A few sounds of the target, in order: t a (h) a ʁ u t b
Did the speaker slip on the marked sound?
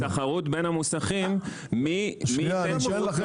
yes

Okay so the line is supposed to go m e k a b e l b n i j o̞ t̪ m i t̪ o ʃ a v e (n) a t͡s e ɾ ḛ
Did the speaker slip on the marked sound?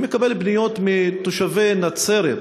no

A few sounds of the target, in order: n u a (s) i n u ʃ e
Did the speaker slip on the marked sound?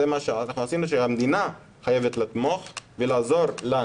no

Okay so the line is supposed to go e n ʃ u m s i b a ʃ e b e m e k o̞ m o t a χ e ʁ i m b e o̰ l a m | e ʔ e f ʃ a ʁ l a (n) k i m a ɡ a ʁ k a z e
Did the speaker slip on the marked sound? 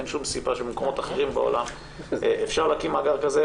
yes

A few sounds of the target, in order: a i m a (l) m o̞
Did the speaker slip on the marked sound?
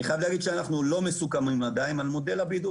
no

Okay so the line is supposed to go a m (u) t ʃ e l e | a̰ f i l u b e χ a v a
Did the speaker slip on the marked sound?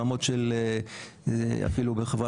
yes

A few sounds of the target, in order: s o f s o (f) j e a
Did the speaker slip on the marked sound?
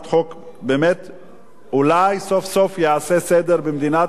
no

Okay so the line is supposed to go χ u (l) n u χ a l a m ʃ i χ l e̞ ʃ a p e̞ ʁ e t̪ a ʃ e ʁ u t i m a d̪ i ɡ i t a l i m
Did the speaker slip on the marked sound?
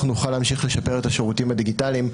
yes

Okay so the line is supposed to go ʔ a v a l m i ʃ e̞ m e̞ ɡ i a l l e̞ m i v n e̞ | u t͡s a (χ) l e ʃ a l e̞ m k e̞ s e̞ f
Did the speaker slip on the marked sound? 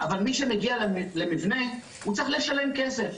no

